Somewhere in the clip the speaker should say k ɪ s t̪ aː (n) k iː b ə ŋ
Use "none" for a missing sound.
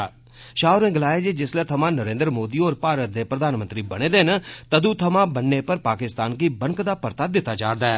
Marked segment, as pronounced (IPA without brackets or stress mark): n